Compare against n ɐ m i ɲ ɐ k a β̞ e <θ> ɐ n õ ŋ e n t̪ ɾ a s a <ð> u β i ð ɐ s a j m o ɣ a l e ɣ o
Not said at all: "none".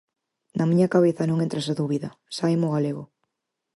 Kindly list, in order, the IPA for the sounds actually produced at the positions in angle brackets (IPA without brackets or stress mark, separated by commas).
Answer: θ, ð